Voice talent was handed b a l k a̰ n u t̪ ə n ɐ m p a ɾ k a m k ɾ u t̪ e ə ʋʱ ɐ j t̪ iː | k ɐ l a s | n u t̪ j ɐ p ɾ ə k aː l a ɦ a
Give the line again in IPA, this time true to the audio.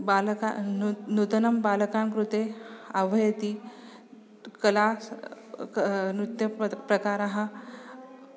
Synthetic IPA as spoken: b a l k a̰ n u t̪ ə n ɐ m b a l k a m k ɾ u t̪ e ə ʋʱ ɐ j t̪ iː | k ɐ l a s | n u t̪ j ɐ p ɾ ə k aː ɾ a ɦ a

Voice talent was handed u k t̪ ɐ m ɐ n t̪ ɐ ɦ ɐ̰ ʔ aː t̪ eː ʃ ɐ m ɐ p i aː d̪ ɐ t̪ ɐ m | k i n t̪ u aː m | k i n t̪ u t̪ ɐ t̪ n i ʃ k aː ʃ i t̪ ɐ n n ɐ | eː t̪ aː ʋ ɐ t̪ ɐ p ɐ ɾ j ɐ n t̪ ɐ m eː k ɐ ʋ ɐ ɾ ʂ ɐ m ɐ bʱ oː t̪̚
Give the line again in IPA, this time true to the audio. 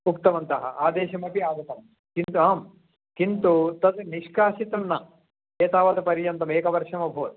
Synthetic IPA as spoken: u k t̪ ɐ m ɐ n t̪ ɐ ɦ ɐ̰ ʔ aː d̪ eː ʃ ɐ m ɐ p i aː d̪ ɐ t̪ ɐ m | k i n t̪ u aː m | k i n t̪ u t̪ ɐ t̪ n i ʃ k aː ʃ i t̪ ɐ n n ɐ | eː t̪ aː ʋ ɐ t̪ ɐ p ɐ ɾ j ɐ n t̪ ɐ m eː k ɐ ʋ ɐ ɾ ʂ ɐ m ɐ bʱ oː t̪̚

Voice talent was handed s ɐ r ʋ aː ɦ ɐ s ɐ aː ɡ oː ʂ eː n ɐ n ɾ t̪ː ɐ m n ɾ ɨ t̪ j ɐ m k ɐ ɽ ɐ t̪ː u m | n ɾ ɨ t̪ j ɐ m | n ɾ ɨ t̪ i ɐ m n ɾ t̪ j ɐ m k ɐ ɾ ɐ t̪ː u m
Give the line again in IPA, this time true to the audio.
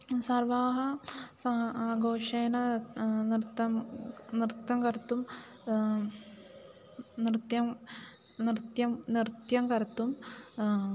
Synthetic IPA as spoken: s ɐ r ʋ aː ɦ ɐ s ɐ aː ɡ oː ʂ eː n ɐ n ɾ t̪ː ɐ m n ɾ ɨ t̪ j ɐ m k ɐ ɾ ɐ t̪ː u m | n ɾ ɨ t̪ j ɐ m | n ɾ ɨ t̪ j ɐ m n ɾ t̪ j ɐ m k ɐ ɾ ɐ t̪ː u m

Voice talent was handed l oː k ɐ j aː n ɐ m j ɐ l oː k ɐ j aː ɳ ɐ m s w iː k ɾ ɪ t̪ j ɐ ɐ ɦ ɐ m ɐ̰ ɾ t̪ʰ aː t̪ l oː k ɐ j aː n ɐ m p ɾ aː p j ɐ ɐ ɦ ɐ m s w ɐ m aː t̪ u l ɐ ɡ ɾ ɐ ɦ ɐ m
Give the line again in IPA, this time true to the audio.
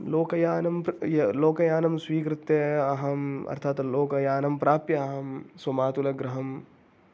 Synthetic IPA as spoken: l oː k ɐ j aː n ɐ m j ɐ l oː k ɐ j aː n ɐ m s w iː k ɾ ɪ t̪ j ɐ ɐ ɦ ɐ m ɐ̰ ɾ t̪ʰ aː t̪ l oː k ɐ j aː n ɐ m p ɾ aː p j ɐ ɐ ɦ ɐ m s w ɐ m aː t̪ u l ɐ ɡ ɾ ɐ ɦ ɐ m

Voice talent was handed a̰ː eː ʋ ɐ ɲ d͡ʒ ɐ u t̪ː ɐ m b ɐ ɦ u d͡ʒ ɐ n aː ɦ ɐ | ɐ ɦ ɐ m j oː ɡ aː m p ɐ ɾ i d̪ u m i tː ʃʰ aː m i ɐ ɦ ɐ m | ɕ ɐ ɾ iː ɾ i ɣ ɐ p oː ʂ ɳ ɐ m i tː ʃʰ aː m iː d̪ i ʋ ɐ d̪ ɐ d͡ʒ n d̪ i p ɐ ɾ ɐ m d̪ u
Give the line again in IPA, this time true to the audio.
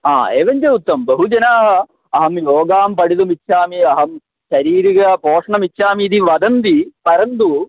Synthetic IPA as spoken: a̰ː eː ʋ ɐ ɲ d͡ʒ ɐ u t̪ː ɐ m b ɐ ɦ u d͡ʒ ɐ n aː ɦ ɐ | ɐ ɦ ɐ m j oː ɡ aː m p ɐ ɽ i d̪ u m i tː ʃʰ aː m i ɐ ɦ ɐ m | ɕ ɐ ɾ iː ɾ i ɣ ɐ p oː ʂ ɳ ɐ m i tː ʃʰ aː m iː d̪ i ʋ ɐ d̪ ɐ n d̪ i p ɐ ɾ ɐ n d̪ u

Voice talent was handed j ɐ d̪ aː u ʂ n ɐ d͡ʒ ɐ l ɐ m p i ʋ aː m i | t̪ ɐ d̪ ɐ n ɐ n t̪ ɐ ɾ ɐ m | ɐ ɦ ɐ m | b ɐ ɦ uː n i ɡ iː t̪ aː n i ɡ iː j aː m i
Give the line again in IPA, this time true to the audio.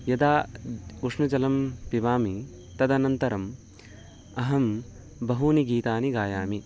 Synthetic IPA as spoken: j ɐ d̪ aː u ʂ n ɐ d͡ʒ ɐ l ɐ m p i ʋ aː m i | t̪ ɐ d̪ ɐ n ɐ n t̪ ɐ ɾ ɐ m | ɐ ɦ ɐ m | b ɐ ɦ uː n i ɡ iː t̪ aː n i ɡ aː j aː m i

